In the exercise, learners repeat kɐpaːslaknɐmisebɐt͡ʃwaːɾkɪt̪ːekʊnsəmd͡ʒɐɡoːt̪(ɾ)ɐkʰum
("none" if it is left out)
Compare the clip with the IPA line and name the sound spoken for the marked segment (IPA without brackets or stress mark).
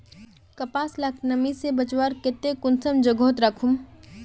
ɾ